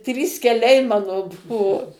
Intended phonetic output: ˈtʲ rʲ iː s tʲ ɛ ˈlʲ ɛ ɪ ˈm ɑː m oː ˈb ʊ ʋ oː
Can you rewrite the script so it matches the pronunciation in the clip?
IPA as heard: ˈtʲ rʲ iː s kʲ ɛ ˈlʲ ɛ ɪ ˈm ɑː n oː ˈb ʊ ʋ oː